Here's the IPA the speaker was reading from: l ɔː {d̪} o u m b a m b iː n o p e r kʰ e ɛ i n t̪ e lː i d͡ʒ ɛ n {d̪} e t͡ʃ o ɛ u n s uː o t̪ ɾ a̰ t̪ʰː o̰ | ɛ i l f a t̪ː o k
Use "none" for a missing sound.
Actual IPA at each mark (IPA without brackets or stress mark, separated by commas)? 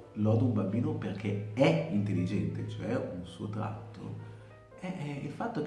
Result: d̪, t̪